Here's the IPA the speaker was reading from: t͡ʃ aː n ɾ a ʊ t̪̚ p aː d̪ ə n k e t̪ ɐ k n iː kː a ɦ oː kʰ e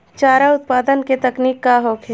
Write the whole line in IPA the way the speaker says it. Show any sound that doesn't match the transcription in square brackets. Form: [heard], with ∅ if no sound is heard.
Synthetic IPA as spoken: t͡ʃ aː [∅] ɾ a ʊ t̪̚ p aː d̪ ə n k e t̪ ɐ k n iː kː a ɦ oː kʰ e